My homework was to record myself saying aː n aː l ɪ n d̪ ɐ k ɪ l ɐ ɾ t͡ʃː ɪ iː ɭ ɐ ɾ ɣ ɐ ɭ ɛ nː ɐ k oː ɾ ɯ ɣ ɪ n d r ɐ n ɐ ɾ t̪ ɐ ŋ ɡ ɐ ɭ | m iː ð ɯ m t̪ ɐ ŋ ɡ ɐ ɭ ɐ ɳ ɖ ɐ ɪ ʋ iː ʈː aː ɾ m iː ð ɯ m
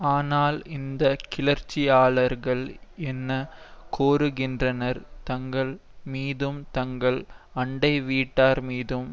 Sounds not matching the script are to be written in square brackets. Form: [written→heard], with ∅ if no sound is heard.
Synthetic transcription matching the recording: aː n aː l ɪ n d̪ ɐ k ɪ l ɐ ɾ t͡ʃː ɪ [iː→aː] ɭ ɐ ɾ ɣ ɐ ɭ ɛ nː ɐ k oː ɾ ɯ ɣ ɪ n d r ɐ n ɐ ɾ t̪ ɐ ŋ ɡ ɐ ɭ | m iː ð ɯ m t̪ ɐ ŋ ɡ ɐ ɭ ɐ ɳ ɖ ɐ ɪ ʋ iː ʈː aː ɾ m iː ð ɯ m